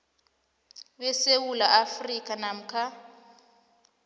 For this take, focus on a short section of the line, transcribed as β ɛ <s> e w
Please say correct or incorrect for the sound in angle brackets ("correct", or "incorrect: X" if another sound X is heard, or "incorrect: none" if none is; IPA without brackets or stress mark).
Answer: correct